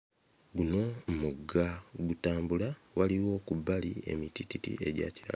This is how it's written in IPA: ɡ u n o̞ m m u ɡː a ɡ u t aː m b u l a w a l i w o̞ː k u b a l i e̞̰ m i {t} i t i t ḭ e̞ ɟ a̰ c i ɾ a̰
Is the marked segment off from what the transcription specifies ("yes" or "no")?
no